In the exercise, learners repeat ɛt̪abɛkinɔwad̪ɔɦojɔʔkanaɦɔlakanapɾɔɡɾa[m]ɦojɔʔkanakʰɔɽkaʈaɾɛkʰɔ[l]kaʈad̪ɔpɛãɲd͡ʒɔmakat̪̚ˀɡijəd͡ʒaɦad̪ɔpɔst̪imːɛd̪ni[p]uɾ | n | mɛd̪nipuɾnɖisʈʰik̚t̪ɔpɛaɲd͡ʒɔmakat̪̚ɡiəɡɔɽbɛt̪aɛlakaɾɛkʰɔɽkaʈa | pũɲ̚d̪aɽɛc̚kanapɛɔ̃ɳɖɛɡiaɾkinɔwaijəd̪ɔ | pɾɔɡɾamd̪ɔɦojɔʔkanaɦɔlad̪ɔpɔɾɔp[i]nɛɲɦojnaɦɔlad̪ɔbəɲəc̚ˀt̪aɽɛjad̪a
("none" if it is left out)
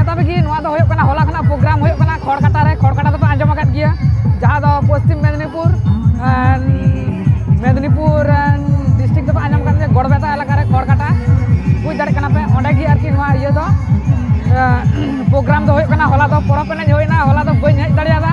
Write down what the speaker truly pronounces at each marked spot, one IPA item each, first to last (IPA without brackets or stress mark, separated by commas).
m, ɽ, p, ɛ